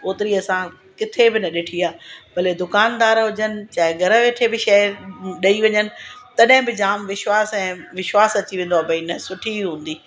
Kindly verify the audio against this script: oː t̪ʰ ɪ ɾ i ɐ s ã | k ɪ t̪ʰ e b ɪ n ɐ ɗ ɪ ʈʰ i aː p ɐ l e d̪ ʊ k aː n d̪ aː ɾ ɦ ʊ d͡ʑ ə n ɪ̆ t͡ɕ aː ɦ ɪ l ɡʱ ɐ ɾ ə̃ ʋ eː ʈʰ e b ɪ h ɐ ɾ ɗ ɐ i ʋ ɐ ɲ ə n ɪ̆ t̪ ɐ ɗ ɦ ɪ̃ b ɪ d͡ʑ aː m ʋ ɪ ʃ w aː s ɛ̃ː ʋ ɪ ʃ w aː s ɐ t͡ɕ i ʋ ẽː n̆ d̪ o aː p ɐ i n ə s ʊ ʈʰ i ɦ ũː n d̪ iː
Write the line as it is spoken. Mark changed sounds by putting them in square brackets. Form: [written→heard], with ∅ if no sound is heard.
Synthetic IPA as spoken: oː [t̪ʰ→t̪] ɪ ɾ i ɐ s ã | k ɪ t̪ʰ e b ɪ n ɐ ɗ ɪ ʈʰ i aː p ɐ l e d̪ ʊ k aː n d̪ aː ɾ ɦ ʊ d͡ʑ ə n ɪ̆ t͡ɕ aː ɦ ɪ [l→∅] ɡʱ ɐ ɾ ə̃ ʋ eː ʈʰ e b ɪ [h→ʃ] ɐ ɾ ɗ ɐ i ʋ ɐ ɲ ə n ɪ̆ t̪ ɐ ɗ ɦ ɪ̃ b ɪ d͡ʑ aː m ʋ ɪ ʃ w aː s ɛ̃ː ʋ ɪ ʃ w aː s ɐ t͡ɕ i ʋ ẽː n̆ d̪ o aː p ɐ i n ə s ʊ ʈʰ i ɦ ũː n d̪ iː